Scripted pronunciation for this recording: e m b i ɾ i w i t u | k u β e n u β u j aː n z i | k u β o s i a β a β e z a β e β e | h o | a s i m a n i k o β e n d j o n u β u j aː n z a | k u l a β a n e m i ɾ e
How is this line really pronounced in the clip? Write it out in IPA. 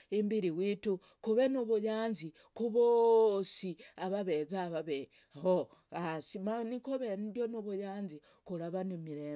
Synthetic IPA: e m b i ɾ i w i t u | k u β e n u β u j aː n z i | k u β o s i a β a β e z a β a β e | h o | a s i m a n i k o β e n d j o n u β u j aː n z i | k u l a β a n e m i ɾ e

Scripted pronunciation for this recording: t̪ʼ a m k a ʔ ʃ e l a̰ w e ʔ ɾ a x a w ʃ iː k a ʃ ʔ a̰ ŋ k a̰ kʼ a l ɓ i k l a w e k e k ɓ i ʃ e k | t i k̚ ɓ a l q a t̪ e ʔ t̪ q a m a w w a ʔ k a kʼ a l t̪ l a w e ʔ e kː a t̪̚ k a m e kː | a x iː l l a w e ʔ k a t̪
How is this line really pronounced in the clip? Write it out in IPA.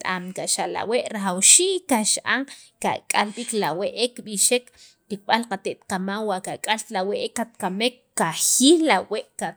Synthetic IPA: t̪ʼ a m k a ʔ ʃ a l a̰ w e ʔ ɾ a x a w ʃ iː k a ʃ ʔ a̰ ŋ k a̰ kʼ a l ɓ i k l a w e ʔ e k ɓ i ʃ e k | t i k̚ ɓ a l q a t̪ e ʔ t̪ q a m a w w a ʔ k a kʼ a l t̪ l a w e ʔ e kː a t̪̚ k a m e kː | a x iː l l a w e ʔ k a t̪

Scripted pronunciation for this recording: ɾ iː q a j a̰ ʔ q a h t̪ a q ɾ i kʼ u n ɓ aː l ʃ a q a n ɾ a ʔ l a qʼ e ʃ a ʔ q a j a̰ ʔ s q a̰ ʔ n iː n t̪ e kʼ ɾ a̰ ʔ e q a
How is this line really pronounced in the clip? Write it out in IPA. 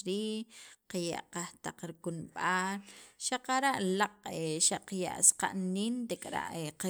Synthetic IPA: ɾ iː q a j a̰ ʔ q a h t̪ a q ɾ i k u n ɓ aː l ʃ a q a ɾ a ʔ l a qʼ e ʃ a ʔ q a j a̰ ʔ s q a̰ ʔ n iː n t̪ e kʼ ɾ a̰ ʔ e q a

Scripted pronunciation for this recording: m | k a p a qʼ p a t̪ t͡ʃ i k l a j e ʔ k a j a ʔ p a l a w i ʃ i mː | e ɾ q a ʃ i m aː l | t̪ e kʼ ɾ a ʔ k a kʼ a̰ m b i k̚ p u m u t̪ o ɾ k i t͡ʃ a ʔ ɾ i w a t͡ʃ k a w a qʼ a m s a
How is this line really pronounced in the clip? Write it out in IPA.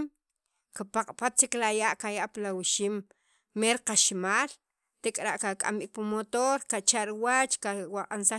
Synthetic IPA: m | k a p a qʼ p a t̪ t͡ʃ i k l a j a ʔ k a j a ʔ p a l a w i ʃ i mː | e ɾ q a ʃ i m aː l | t̪ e kʼ ɾ a ʔ k a kʼ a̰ m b i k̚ p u m o t̪ o ɾ k a t͡ʃ a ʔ ɾ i w a t͡ʃ k a w a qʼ a n s a

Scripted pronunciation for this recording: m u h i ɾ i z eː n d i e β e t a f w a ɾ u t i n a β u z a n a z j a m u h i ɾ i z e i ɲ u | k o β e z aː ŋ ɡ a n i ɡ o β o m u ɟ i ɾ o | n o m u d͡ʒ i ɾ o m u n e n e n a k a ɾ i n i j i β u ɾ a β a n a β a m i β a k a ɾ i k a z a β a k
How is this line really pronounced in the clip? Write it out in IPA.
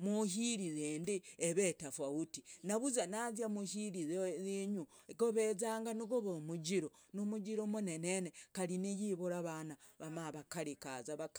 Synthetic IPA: m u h i ɾ i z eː n d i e β e t a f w a u t i n a β u z a n a z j a m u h i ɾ i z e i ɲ u | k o β e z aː ŋ ɡ a n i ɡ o β o m u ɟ i ɾ o | n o m u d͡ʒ i ɾ o m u n e n e n e k a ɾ i n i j i β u ɾ a β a n a β a m a β a k a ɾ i k a z a β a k

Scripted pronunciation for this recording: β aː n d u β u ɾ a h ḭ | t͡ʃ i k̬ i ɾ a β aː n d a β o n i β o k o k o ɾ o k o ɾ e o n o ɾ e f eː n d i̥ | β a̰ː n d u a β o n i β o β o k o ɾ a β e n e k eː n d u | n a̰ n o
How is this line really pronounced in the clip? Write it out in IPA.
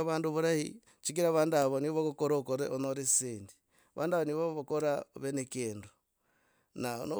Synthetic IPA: β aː n d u β u ɾ a h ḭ | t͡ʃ i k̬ i ɾ a β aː n d a β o n i β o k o k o ɾ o k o ɾ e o n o ɾ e s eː n d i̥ | β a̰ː n d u a β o n i β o β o k o ɾ a β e n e k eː n d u | n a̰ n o

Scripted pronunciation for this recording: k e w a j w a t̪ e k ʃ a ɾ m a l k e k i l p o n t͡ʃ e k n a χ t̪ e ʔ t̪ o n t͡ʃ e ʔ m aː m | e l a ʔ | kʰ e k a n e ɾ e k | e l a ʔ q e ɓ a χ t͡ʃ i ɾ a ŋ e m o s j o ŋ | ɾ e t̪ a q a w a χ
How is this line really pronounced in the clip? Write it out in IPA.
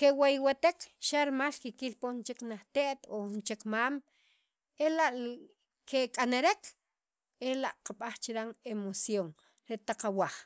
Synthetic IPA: k e w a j w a t̪ e k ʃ a ɾ m a l k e k i l p o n t͡ʃ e k n a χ t̪ e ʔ t̪ o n t͡ʃ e k m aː m | e l a ʔ | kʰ e kʼ a n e ɾ e k | e l a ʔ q a ɓ a χ t͡ʃ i ɾ a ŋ e m o s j o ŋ | ɾ e t̪ a q a w a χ

